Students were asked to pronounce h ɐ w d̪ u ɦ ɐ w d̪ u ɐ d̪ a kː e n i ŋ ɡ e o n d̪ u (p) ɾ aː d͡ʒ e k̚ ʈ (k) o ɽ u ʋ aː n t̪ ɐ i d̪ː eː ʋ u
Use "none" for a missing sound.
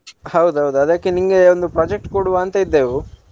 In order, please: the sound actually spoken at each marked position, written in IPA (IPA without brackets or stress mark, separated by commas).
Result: p, k